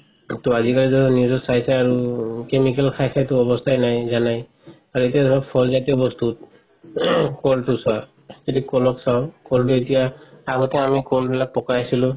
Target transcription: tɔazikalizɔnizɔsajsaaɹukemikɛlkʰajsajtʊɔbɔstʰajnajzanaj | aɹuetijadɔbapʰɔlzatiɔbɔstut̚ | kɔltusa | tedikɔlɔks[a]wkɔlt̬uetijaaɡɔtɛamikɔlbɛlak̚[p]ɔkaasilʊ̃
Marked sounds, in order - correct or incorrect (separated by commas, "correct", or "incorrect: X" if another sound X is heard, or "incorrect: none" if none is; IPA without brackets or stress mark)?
correct, correct